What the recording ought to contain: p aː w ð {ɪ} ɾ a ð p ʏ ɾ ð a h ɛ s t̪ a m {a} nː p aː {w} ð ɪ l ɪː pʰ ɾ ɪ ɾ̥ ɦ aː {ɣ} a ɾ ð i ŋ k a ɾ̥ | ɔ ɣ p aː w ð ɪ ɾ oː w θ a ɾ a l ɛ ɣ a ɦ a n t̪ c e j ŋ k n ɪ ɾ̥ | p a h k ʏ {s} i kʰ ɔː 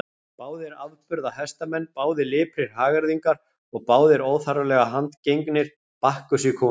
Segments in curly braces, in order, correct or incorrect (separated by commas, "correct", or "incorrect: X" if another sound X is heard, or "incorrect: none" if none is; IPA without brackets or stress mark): correct, incorrect: ɛ, correct, correct, correct